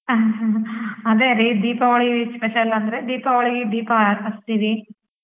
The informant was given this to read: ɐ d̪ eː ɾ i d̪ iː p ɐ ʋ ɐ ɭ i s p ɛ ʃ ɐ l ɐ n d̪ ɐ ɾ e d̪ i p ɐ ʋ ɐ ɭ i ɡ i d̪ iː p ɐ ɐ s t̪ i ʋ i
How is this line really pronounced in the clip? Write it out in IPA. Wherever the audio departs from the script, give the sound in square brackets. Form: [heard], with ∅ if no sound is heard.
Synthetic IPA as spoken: ɐ d̪ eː ɾ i d̪ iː p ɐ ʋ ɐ ɭ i s p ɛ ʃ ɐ l ɐ n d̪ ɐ ɾ e d̪ [iː] p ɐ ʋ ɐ ɭ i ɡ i d̪ iː p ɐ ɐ s t̪ i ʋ i